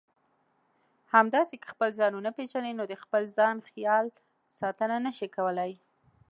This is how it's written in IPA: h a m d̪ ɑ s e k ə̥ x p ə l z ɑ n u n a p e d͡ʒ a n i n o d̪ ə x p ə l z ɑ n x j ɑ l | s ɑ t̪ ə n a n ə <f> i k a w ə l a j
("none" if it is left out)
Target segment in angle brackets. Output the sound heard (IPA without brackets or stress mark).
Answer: ʃ